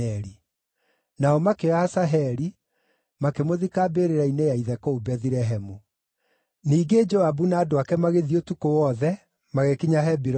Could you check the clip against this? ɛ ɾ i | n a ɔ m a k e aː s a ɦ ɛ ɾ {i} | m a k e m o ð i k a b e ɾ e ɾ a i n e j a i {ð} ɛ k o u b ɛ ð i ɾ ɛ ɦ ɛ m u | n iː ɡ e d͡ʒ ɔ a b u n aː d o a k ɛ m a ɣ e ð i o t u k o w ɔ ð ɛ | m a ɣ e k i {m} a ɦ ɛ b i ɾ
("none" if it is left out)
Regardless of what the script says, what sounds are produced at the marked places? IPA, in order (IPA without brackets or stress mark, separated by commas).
i, ð, ɲ